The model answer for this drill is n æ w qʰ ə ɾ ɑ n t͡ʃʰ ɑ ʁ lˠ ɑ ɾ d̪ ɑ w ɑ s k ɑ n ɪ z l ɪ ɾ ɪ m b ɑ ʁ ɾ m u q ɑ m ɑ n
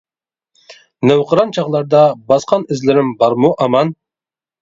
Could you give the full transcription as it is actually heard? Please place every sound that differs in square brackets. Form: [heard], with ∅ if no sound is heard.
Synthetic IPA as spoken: n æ w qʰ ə ɾ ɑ n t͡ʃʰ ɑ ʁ lˠ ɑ ɾ d̪ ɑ [b] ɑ s [q] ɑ n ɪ z l ɪ ɾ ɪ m b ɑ [∅] ɾ m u [ʔ] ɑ m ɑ n